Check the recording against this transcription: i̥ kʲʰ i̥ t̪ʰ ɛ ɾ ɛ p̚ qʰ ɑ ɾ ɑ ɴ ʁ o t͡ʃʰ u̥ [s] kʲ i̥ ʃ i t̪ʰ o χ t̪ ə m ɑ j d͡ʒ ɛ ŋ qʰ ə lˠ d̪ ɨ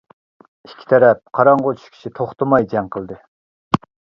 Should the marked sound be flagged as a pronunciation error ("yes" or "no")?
yes